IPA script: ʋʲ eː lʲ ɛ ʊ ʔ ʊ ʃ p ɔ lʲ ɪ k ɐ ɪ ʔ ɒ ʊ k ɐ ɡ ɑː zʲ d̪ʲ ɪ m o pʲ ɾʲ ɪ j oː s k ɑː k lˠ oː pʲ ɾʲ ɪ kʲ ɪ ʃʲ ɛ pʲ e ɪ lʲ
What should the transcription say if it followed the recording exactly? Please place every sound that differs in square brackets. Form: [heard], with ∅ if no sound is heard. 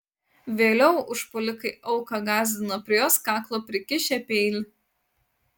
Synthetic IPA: ʋʲ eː lʲ ɛ ʊ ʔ ʊ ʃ p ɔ lʲ ɪ k ɐ ɪ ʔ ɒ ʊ k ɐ ɡ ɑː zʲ d̪ʲ ɪ [n] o pʲ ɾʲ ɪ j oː s k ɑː k lˠ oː pʲ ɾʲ ɪ kʲ ɪ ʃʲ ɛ pʲ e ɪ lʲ